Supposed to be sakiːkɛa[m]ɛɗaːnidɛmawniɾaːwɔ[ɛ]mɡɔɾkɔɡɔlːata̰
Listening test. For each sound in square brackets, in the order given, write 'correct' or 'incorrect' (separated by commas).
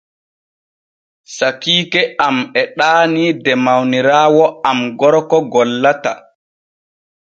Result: correct, incorrect